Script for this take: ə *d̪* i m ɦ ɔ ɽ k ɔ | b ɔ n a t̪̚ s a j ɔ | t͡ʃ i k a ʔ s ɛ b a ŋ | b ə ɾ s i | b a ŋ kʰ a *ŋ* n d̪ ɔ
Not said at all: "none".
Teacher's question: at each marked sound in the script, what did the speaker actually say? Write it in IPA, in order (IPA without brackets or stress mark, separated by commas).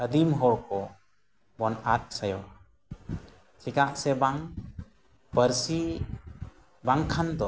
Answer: d̪, none